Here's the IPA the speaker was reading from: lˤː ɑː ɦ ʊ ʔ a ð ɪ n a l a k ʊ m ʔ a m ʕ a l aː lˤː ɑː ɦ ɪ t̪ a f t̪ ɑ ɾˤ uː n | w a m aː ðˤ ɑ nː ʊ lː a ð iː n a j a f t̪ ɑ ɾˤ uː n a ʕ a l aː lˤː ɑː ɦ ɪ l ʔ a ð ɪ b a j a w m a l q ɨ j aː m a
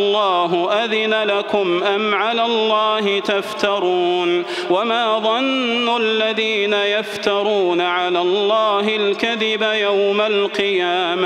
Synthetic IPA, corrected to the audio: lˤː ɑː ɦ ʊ ʔ a ð ɪ n a l a k ʊ m ʔ a m ʕ a l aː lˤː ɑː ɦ ɪ t̪ a f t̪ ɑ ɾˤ uː n | w a m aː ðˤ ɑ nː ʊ lː a ð iː n a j a f t̪ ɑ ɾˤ uː n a ʕ a l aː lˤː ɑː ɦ ɪ l k a ð ɪ b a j a w m a l q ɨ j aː m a